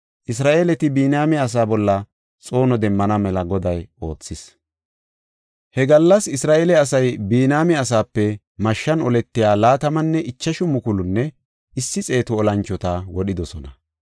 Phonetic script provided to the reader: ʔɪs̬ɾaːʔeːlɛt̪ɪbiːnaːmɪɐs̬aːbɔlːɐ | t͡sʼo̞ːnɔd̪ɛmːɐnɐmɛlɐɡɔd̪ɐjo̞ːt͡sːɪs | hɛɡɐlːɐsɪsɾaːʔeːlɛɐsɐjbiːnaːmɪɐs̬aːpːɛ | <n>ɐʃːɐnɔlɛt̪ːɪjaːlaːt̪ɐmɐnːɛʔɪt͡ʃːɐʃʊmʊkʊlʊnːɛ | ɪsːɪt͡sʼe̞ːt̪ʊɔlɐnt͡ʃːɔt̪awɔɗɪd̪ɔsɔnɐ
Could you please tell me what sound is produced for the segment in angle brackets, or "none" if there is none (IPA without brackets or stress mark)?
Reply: m